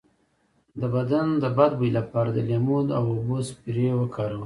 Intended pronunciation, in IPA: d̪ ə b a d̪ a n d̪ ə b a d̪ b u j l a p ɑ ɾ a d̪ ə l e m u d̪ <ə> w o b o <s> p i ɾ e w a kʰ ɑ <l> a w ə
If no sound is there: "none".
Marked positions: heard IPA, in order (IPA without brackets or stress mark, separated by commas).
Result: a, s, ɾ